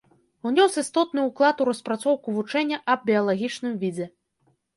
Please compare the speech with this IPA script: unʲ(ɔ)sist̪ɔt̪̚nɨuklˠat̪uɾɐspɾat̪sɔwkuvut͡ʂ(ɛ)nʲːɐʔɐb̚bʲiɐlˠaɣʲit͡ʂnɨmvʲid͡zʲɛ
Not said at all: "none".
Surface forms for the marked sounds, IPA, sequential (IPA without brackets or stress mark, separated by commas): ɔ, ɛ